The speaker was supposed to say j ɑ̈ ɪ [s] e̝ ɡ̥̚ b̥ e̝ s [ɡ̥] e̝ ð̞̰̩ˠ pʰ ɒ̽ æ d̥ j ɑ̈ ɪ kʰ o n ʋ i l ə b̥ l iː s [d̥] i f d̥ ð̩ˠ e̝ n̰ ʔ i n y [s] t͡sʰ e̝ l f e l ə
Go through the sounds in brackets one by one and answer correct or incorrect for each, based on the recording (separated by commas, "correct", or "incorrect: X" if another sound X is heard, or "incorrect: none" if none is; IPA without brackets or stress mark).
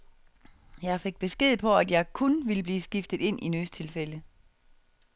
incorrect: f, correct, incorrect: ɡ̥, correct